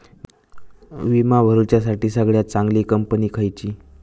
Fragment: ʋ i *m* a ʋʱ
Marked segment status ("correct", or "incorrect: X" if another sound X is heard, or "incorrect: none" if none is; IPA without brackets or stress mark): correct